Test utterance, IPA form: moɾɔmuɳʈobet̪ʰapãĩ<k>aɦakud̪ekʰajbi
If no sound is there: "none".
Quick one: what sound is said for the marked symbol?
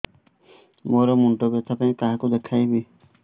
k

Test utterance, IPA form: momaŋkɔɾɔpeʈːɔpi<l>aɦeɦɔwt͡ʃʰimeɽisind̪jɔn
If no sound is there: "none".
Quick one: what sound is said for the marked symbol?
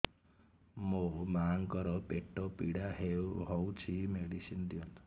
ɽ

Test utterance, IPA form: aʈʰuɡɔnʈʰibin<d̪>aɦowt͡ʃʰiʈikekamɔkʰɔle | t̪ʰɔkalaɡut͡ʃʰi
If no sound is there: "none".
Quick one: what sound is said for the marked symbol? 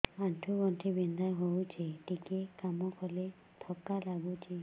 d̪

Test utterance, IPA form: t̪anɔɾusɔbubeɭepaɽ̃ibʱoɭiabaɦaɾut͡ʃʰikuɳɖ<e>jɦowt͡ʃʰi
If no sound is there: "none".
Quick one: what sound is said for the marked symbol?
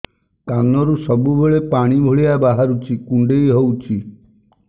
e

